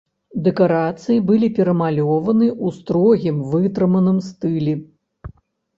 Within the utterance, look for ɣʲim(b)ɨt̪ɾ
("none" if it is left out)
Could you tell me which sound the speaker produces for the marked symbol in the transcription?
v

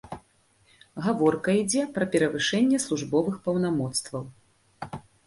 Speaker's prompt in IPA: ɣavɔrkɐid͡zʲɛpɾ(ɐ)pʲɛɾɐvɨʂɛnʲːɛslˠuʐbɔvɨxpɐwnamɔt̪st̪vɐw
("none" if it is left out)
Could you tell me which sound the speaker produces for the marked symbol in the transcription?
ɐ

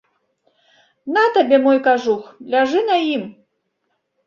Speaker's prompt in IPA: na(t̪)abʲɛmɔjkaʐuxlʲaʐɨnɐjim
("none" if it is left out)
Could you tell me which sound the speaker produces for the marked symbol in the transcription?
t̪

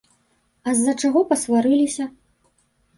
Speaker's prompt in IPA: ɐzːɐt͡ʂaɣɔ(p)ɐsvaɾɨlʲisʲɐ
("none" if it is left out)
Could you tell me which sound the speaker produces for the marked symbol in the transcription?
p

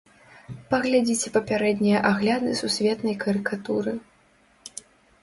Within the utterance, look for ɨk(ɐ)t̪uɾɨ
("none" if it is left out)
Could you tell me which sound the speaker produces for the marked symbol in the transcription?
a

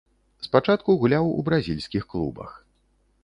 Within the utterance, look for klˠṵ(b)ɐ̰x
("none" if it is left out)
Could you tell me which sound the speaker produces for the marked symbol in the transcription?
b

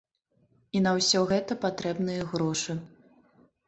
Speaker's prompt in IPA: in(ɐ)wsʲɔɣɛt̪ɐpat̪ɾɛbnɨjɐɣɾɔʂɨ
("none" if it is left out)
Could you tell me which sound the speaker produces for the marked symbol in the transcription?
ɐ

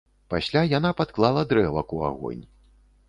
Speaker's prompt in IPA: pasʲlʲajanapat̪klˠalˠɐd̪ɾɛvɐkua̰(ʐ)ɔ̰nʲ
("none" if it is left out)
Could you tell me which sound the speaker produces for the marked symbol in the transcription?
ɣ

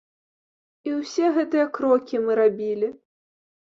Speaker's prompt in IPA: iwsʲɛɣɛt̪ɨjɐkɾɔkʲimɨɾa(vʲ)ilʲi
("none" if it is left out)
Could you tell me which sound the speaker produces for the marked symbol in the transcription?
bʲ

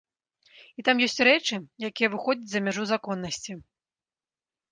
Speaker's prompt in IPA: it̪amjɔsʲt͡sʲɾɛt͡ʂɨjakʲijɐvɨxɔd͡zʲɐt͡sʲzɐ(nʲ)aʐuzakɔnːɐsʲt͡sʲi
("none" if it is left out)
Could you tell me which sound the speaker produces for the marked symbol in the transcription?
mʲ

